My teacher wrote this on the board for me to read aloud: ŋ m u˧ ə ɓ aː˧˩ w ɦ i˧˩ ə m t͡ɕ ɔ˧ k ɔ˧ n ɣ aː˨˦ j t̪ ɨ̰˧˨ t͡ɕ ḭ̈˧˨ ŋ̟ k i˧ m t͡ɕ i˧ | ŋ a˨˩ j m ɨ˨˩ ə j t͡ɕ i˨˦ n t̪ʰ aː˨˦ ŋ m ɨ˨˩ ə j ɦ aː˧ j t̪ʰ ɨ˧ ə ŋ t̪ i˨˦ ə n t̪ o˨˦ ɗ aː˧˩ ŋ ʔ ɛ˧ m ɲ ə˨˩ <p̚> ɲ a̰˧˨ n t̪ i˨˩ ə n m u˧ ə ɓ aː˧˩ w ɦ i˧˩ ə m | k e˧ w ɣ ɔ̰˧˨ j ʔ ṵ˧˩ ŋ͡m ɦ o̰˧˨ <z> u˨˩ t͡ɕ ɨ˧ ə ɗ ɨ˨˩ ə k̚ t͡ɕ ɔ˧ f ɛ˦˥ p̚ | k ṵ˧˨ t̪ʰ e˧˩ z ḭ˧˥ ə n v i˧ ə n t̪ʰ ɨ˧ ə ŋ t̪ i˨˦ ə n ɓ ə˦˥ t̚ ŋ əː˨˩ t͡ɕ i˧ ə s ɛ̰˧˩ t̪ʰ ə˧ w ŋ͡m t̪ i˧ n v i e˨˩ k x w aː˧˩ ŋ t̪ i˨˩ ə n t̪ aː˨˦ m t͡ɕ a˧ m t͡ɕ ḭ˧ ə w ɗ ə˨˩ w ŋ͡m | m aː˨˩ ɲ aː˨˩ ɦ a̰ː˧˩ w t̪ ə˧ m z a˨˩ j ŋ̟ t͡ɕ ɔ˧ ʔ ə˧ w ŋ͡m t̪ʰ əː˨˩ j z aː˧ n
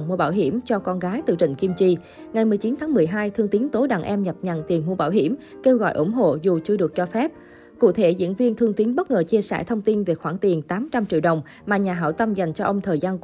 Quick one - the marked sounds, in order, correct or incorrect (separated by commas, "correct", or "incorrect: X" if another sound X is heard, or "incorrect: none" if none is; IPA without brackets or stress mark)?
correct, correct